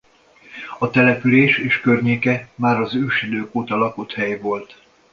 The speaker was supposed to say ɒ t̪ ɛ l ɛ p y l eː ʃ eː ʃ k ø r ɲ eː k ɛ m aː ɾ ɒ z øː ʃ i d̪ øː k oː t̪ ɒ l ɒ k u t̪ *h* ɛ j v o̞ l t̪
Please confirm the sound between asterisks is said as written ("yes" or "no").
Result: yes